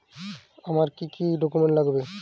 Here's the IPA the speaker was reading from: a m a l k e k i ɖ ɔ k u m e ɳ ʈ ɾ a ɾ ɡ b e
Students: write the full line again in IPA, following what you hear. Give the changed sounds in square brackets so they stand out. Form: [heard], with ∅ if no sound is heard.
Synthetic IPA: a m a [ɾ] k [i] k i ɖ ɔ k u m e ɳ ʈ [l] a [∅] ɡ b e

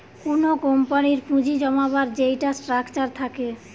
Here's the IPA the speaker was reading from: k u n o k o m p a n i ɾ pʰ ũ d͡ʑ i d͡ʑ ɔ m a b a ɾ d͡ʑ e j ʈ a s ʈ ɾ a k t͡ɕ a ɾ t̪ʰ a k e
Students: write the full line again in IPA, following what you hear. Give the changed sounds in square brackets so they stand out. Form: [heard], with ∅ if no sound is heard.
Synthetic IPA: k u n o k o m p a n i ɾ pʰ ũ d͡ʑ i d͡ʑ ɔ m a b a ɾ d͡ʑ e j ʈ a s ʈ ɾ a k t͡ɕ a ɾ t̪ʰ a k e

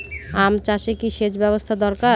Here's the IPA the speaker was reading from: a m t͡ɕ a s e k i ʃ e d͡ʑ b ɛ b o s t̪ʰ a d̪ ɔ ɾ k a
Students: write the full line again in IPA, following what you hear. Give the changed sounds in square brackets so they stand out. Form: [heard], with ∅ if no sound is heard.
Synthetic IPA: a m t͡ɕ a [ʃ] e k i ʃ e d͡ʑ b ɛ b o s t̪ʰ a d̪ ɔ ɾ k a

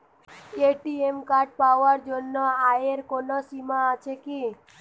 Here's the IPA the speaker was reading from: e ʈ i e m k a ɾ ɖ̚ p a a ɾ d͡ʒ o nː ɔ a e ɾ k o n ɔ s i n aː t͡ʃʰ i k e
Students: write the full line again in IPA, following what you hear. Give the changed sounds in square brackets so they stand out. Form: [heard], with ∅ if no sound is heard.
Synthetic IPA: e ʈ i e m k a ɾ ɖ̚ p a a ɾ d͡ʒ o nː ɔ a e ɾ k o n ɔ s i [m] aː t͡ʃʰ [e] k [i]

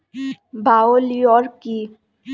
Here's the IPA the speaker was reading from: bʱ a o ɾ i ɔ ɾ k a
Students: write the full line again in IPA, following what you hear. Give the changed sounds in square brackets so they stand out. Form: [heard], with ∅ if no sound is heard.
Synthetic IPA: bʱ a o [l] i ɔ ɾ k [i]

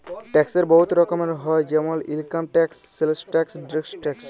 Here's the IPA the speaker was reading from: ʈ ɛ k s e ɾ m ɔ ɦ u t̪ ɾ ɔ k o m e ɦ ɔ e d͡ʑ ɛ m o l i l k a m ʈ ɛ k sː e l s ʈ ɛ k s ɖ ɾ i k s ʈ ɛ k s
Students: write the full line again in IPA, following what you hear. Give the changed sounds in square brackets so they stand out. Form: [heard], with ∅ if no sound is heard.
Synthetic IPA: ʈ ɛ k s e ɾ [b] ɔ ɦ u t̪ ɾ ɔ k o m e ɦ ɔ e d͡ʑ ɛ m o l i l k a m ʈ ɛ k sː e l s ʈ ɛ k s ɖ ɾ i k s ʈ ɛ k s

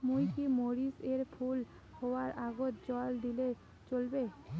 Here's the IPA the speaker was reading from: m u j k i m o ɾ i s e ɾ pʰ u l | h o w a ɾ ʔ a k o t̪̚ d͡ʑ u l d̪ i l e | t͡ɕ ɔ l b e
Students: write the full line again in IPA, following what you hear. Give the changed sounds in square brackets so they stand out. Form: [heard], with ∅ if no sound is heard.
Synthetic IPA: m u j k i m o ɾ i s e ɾ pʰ u l | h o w a ɾ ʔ a [ɡ] o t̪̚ d͡ʑ [ɔ] l d̪ i l e | t͡ɕ [o] l b e

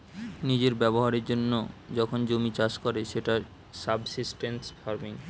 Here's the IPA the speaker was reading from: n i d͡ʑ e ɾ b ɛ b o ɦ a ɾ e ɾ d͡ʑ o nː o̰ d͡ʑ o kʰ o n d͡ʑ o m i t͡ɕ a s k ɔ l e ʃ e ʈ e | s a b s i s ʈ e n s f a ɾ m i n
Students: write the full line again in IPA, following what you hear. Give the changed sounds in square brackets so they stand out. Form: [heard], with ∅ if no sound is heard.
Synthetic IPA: n i d͡ʑ e ɾ b ɛ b o ɦ a ɾ e ɾ d͡ʑ o nː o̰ d͡ʑ [ɔ] kʰ o n d͡ʑ o m i t͡ɕ a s k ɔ [ɾ] e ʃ e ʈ [a] | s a b s i s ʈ e n s f a ɾ m i [ŋ]

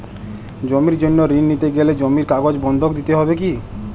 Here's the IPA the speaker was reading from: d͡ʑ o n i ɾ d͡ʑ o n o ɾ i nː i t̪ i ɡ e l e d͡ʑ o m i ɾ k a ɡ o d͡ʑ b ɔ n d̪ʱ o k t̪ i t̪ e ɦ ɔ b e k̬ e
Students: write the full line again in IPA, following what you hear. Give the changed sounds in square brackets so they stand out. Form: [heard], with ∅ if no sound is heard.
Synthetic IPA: d͡ʑ o [m] i ɾ d͡ʑ o [nː] o ɾ i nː i t̪ [e] ɡ e l e d͡ʑ o m i ɾ k a ɡ o d͡ʑ b ɔ n d̪ʱ o k [d̪] i t̪ e ɦ ɔ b e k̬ [i]

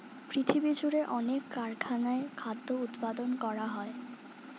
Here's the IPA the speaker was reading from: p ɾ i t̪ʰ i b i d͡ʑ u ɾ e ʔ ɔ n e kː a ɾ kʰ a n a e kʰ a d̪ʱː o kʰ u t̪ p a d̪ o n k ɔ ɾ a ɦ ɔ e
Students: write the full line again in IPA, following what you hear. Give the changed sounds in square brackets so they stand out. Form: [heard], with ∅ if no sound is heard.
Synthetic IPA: p ɾ i t̪ʰ i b i d͡ʑ u ɾ e ʔ ɔ n e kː a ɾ kʰ a n a e kʰ a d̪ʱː o [∅] u t̪ p a d̪ o n k ɔ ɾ a ɦ ɔ e

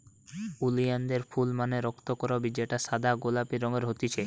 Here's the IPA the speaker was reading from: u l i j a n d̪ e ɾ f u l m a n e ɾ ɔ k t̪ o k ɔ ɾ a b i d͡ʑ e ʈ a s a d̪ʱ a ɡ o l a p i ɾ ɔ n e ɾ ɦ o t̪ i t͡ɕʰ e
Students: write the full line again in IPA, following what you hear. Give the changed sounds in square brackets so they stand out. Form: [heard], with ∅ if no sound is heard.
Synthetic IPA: u l i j a n d̪ e ɾ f u l m a n e ɾ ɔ k t̪ o k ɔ ɾ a b i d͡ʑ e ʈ a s a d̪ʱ a ɡ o l a p i ɾ ɔ [ŋ] e ɾ ɦ o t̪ i t͡ɕʰ e

